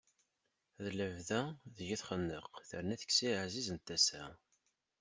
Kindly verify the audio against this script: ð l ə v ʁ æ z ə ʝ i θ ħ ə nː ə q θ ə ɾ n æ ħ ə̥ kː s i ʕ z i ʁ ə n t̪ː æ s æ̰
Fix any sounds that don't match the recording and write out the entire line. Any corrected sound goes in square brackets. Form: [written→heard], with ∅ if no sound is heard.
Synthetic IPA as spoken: ð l ə v [ʁ→ð] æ [z→ð] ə ʝ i θ [ħ→χ] ə nː ə q θ ə ɾ n æ [ħ→θ] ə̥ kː s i ʕ z i [ʁ→z] ə n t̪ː æ s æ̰